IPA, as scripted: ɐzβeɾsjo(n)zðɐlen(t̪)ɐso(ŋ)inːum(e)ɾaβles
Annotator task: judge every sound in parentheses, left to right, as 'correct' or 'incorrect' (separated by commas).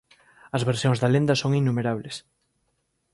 incorrect, incorrect, correct, correct